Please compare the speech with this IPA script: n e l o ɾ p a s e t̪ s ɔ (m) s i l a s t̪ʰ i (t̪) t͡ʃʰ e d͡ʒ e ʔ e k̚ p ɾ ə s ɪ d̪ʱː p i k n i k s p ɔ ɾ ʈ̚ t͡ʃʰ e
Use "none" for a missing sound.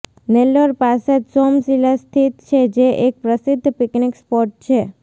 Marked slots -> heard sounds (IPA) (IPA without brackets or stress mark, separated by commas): m, t̪